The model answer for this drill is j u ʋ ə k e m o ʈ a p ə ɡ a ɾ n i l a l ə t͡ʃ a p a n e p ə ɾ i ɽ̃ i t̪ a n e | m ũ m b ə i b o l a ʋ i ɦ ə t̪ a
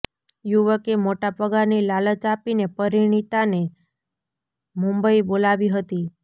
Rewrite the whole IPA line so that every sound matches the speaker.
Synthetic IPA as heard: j u ʋ ə k e m o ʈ a p ə ɡ a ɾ n i l a l ə t͡ʃ a p i n e p ə ɾ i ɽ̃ i t̪ a n e | m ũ m b ə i b o l a ʋ i ɦ ə t̪ i